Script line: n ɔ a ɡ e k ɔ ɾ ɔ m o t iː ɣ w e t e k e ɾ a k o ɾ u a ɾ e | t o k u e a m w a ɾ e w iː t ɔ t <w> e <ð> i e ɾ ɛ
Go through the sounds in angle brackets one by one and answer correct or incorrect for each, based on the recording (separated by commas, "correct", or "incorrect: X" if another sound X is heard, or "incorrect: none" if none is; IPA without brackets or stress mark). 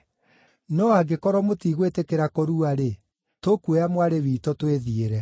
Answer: correct, correct